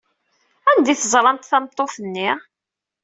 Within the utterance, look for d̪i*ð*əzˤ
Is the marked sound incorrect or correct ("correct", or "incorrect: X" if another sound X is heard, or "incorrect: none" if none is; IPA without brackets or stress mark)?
incorrect: θ